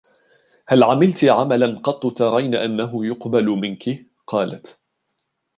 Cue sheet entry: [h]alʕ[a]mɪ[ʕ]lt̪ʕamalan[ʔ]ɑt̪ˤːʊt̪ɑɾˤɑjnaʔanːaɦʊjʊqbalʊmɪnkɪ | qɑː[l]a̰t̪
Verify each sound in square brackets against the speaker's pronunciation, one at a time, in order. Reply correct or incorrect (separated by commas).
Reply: correct, correct, incorrect, incorrect, correct